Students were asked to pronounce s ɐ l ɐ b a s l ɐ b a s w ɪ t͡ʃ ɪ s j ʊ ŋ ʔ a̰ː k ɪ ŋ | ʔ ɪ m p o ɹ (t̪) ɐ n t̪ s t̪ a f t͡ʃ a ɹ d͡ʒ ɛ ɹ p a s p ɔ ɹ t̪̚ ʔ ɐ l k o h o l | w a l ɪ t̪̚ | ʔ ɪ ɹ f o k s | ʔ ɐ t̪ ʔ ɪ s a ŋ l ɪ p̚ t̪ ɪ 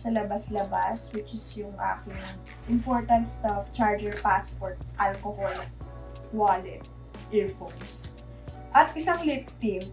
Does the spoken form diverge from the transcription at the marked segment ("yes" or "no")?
no